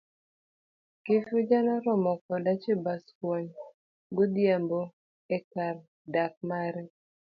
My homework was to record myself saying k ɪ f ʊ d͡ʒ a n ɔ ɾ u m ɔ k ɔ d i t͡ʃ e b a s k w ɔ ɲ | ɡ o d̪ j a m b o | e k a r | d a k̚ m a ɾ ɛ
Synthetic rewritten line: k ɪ f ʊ d͡ʒ a n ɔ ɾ ɔ m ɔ k ɔ d a t͡ʃ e b a s k w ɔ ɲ | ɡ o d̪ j a m b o | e k a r | d a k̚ m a ɾ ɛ